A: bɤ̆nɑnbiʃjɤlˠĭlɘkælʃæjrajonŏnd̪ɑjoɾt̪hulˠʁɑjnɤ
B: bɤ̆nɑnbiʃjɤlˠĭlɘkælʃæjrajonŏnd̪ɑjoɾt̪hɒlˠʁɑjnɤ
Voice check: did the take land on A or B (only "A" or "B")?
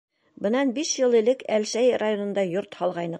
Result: B